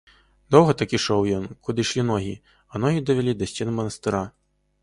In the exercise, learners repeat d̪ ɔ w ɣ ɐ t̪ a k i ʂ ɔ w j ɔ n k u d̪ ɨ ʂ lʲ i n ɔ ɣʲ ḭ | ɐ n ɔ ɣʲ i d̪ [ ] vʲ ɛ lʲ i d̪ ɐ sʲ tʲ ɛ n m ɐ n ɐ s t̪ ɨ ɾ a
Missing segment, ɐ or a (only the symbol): ɐ